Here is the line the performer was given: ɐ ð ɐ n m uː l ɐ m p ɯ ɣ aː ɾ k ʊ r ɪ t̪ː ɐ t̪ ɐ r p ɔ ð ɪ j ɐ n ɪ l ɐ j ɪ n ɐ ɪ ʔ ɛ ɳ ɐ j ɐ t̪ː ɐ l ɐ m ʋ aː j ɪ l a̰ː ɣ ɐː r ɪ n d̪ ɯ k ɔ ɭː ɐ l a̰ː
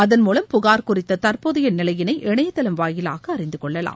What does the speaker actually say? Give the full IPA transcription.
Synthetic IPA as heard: ɐ ð ɐ n m uː l ɐ m p ʊ ɣ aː ɾ k ʊ r ɪ t̪ː ɐ t̪ ɐ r p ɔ ð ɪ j ɐ n ɪ l ɐ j ɪ n ɐ ɪ ʔ ɛ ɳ ɐ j ɐ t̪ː ɐ l ɐ m ʋ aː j ɪ l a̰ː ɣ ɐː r ɪ n d̪ ɯ k ɔ ɭː ɐ l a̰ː